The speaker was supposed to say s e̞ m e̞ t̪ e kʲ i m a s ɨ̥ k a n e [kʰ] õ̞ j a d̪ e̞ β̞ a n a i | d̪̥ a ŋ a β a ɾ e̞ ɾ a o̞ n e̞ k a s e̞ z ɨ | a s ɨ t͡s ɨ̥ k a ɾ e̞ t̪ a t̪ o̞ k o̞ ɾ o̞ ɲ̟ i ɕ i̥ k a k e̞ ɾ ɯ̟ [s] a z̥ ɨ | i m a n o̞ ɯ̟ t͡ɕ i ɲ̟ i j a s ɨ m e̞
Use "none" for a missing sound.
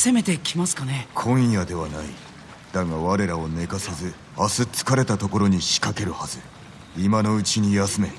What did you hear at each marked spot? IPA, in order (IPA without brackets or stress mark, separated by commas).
kʰ, h